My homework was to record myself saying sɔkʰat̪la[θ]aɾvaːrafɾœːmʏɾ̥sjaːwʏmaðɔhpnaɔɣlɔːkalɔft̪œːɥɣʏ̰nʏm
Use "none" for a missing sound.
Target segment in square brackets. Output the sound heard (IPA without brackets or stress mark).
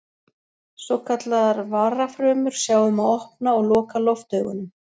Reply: ð